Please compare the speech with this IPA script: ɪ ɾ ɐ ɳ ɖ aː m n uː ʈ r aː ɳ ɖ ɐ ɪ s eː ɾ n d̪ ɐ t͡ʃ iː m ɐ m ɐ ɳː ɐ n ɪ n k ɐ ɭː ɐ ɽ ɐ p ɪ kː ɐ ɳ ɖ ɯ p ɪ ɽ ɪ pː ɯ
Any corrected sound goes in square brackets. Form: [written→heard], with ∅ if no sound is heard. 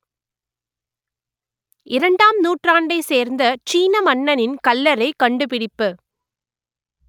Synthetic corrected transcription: ɪ ɾ ɐ ɳ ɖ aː m n uː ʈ r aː ɳ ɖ ɐ ɪ s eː ɾ n d̪ ɐ t͡ʃ iː [m→n] ɐ m ɐ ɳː ɐ n ɪ n k ɐ [ɭː→lː] ɐ [ɽ→ɾ] ɐ [p→∅] ɪ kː ɐ ɳ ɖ ɯ p ɪ ɽ ɪ pː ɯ

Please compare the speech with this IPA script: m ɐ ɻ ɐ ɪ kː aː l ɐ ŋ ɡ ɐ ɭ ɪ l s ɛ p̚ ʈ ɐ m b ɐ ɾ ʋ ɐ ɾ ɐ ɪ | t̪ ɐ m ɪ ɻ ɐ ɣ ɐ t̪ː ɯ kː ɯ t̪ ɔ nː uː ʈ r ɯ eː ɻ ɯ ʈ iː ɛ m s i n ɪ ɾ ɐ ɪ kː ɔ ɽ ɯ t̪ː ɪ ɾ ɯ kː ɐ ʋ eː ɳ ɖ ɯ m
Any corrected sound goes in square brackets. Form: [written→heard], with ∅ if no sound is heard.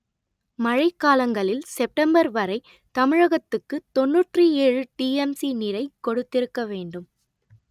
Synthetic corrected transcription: m ɐ ɻ ɐ ɪ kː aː l ɐ ŋ ɡ ɐ ɭ ɪ l s ɛ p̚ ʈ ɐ m b ɐ ɾ ʋ ɐ ɾ ɐ ɪ | t̪ ɐ m ɪ ɻ ɐ ɣ ɐ t̪ː ɯ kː ɯ t̪ ɔ nː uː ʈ r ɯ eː ɻ ɯ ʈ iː ɛ m s i n ɪ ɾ ɐ ɪ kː ɔ ɽ ɯ t̪ː ɪ ɾ ɯ kː ɐ ʋ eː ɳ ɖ ɯ m

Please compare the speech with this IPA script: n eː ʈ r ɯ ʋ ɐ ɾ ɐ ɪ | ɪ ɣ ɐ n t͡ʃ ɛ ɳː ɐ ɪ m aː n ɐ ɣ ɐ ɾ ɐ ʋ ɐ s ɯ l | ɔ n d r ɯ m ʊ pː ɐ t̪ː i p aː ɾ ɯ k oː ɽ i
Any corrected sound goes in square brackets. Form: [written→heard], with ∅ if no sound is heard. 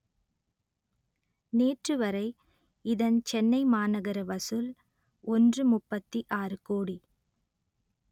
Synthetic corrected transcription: n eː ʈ r ɯ ʋ ɐ ɾ ɐ ɪ | ɪ [ɣ→ð] ɐ n t͡ʃ ɛ [ɳː→nː] ɐ ɪ m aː n ɐ ɣ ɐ ɾ ɐ ʋ ɐ s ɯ l | ɔ n d r ɯ m ʊ pː ɐ t̪ː i [p→ʔ] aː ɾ ɯ k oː ɽ i

